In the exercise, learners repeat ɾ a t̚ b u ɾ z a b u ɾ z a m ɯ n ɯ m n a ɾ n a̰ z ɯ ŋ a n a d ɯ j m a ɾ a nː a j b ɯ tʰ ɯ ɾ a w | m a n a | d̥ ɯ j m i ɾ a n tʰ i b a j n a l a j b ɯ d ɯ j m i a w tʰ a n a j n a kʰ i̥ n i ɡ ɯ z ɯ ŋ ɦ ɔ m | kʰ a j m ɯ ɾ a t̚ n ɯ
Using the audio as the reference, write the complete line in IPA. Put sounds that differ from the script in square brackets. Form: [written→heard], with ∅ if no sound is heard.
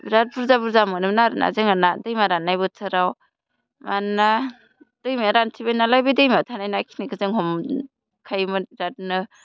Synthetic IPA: ɾ a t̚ b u ɾ z a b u ɾ z a m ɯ n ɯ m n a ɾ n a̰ z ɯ ŋ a n a d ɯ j m a ɾ a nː a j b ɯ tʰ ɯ ɾ a w | m a n a | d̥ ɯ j m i ɾ a n tʰ i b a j n a l a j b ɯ d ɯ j m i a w tʰ a n a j n a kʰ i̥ n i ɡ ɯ z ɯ ŋ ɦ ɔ m | kʰ a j m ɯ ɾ a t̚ n ɯ